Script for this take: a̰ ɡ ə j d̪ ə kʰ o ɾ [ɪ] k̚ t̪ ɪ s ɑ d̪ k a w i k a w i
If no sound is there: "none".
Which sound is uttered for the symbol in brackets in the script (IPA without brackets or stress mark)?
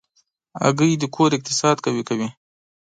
ɪ